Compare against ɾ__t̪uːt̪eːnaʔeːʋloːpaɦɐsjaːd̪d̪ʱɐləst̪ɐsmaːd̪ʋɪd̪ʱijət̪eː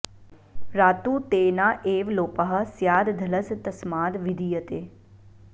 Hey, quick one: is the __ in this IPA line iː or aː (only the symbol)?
aː